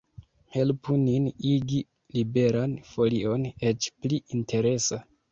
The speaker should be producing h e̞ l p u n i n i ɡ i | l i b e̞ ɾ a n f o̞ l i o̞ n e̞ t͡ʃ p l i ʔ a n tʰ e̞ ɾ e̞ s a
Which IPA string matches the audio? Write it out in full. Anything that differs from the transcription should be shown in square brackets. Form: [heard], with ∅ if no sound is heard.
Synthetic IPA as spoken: h e̞ l p u n i n i ɡ i | l i b e̞ ɾ a n f o̞ l i o̞ n e̞ t͡ʃ p l i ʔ [i] n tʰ e̞ ɾ e̞ s a